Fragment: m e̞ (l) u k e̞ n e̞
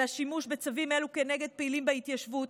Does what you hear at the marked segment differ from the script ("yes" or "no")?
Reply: no